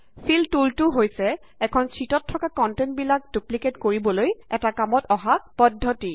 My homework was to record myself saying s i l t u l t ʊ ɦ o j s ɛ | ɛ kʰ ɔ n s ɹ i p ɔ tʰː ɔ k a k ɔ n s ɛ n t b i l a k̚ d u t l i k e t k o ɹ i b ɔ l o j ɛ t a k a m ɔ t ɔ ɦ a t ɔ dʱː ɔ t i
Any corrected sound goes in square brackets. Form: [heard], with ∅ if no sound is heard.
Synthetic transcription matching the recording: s i l t u l t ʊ ɦ o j s ɛ | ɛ kʰ ɔ n s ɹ i [t] ɔ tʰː ɔ k a k ɔ n [t] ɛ n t b i l a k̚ d u [p] l i k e t k o ɹ i b ɔ l o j ɛ t a k a m ɔ t ɔ ɦ a [p] ɔ dʱː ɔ t i